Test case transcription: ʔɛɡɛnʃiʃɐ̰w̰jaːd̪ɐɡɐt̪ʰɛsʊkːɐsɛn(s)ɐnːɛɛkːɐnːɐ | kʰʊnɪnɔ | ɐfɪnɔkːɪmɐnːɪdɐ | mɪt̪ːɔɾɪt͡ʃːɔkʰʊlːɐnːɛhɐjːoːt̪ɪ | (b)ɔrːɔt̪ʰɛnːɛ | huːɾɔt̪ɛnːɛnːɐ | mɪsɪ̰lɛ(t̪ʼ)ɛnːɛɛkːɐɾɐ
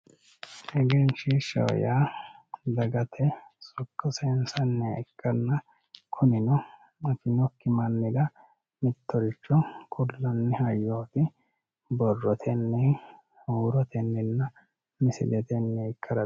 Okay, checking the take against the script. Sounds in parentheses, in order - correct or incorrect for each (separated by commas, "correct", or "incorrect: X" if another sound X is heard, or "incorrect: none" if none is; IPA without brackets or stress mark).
correct, correct, incorrect: t̪